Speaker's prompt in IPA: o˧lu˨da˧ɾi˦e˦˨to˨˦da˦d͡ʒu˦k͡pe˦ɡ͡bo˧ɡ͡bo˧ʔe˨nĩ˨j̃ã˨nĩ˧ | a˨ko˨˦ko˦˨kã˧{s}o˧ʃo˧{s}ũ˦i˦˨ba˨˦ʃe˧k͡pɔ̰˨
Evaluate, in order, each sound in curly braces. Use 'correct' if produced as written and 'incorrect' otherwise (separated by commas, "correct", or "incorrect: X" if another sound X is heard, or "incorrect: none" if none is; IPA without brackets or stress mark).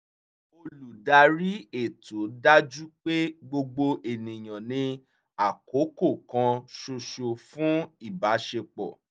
incorrect: ʃ, incorrect: f